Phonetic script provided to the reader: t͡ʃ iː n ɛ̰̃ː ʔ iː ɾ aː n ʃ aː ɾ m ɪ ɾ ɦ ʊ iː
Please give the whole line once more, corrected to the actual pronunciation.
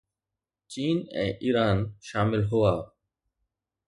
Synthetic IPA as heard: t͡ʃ iː n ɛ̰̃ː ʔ iː ɾ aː n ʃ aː m ɪ l ɦ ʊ aː